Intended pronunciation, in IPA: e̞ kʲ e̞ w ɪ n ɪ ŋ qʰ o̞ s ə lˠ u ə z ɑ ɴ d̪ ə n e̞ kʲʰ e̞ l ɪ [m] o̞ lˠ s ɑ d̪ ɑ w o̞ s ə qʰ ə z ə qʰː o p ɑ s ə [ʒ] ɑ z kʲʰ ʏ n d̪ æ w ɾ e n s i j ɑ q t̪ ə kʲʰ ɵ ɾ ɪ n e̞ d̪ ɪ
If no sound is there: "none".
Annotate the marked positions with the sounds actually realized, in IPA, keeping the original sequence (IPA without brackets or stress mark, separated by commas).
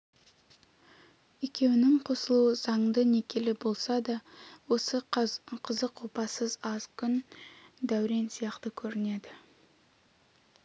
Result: b, z